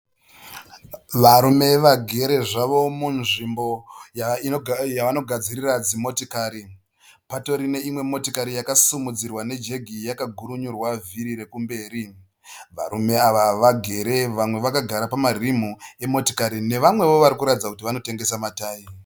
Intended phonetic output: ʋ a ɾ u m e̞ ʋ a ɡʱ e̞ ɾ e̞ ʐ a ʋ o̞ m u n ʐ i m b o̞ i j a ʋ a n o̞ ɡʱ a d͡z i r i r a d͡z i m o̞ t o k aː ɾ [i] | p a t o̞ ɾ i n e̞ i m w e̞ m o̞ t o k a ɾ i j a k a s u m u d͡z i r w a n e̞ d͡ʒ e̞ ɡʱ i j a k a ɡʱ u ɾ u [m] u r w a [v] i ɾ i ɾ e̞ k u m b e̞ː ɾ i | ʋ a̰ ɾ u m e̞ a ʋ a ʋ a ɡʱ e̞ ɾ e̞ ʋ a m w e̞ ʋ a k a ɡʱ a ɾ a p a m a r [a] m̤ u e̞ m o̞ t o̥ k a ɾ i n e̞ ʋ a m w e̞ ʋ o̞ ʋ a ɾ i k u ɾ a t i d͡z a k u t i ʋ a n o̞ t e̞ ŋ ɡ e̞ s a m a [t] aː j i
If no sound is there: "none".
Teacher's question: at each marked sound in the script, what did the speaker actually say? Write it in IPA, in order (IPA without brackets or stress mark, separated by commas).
i, ɲ, v, i, t